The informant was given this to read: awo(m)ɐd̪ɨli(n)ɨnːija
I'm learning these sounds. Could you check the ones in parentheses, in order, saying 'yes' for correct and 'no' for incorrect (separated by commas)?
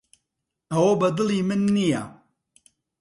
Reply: no, no